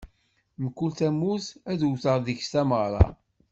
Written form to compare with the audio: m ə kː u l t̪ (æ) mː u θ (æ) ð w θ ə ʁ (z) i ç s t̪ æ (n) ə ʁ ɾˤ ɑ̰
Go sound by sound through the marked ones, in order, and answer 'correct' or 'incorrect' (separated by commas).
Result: correct, correct, incorrect, incorrect